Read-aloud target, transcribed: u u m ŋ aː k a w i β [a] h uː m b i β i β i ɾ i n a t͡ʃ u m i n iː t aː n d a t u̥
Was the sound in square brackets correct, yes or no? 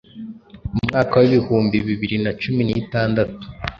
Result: no